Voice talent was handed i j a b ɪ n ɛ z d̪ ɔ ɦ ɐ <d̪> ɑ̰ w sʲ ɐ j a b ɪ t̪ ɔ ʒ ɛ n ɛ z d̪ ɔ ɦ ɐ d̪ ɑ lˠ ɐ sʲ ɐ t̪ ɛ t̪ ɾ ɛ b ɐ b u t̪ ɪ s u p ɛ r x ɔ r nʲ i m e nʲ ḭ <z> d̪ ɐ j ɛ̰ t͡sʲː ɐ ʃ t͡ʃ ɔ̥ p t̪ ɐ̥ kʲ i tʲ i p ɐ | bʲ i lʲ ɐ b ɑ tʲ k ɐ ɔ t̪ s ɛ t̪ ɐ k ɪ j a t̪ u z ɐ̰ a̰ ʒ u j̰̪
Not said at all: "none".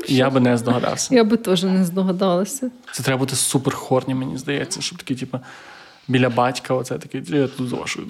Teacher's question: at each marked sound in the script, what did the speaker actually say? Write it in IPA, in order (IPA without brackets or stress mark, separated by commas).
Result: d̪, z